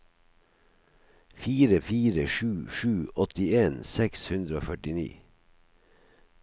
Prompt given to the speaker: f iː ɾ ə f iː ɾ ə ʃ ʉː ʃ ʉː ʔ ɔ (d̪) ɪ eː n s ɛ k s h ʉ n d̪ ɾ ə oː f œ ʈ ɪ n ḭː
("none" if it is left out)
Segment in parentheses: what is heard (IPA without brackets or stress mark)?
t̪